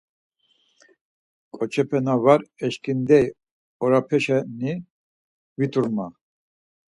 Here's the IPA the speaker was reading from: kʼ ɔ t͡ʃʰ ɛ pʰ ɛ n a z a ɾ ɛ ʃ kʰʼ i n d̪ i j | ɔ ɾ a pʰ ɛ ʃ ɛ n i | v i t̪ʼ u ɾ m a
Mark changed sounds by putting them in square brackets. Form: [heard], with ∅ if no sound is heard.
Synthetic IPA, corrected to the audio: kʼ ɔ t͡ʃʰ ɛ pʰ ɛ n a [v] a ɾ ɛ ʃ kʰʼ i n d̪ [ɛ] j | ɔ ɾ a pʰ ɛ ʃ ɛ n i | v i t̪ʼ u ɾ m a